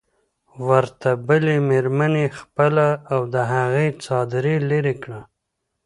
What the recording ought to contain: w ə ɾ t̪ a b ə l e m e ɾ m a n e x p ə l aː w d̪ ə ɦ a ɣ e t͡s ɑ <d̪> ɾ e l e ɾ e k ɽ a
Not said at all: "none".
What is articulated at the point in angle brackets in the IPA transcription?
d̪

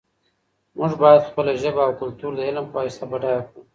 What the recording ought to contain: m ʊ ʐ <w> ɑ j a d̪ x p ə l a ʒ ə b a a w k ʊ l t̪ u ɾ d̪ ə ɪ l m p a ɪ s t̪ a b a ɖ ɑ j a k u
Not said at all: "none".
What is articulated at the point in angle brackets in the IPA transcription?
b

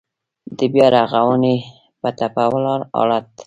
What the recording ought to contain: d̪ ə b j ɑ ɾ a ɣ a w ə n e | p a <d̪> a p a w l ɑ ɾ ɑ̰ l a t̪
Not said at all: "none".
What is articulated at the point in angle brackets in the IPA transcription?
t̪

